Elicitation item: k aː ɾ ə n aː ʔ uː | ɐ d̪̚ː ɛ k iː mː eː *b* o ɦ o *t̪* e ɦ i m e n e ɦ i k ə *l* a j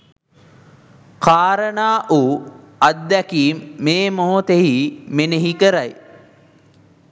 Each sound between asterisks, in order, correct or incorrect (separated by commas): incorrect, correct, incorrect